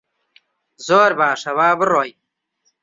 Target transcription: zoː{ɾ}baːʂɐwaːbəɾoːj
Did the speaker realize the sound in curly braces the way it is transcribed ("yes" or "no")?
yes